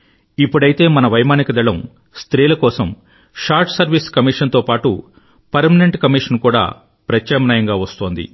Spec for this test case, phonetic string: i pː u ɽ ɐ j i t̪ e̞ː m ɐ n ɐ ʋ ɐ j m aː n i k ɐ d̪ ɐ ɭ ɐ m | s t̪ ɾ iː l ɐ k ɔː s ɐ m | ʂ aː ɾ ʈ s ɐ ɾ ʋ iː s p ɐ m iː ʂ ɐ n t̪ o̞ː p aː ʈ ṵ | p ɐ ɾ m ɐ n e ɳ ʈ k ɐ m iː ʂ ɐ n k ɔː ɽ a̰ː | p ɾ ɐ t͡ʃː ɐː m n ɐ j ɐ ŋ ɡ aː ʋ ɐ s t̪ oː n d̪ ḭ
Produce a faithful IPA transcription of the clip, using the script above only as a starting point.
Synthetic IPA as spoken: i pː u ɽ ɐ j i t̪ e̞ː m ɐ n ɐ ʋ ɐ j m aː n i k ɐ d̪ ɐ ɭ ɐ m | s t̪ ɾ iː l ɐ k ɔː s ɐ m | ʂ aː ɾ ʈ s ɐ ɾ ʋ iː s k ɐ m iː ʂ ɐ n t̪ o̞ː p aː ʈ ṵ | p ɐ ɾ m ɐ n e ɳ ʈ k ɐ m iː ʂ ɐ n k uː ɽ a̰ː | p ɾ ɐ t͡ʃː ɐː m n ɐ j ɐ ŋ ɡ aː ʋ ɐ s t̪ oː n d̪ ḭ